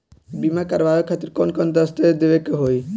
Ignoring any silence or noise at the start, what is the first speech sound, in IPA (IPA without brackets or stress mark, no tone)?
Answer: b